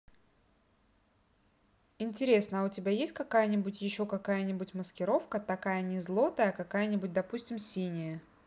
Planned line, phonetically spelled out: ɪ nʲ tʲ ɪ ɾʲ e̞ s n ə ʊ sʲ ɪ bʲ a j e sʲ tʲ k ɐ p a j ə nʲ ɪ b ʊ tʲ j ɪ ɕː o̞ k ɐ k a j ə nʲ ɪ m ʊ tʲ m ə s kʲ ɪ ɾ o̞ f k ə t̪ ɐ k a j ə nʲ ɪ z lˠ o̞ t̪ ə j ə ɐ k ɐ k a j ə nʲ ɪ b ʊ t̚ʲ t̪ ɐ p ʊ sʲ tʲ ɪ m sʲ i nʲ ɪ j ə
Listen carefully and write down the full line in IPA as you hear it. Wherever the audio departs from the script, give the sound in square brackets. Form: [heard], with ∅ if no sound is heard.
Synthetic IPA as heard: ɪ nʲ tʲ ɪ ɾʲ e̞ s n ə ʊ [tʲ] ɪ bʲ a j e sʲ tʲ k ɐ [k] a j ə nʲ ɪ b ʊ tʲ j ɪ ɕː o̞ k ɐ k a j ə nʲ ɪ [b] ʊ tʲ m ə s kʲ ɪ ɾ o̞ f k ə t̪ ɐ k a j ə nʲ ɪ z lˠ o̞ t̪ ə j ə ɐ k ɐ k a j ə nʲ ɪ b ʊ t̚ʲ [d̪] ɐ p [u] sʲ tʲ ɪ m sʲ i nʲ ɪ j ə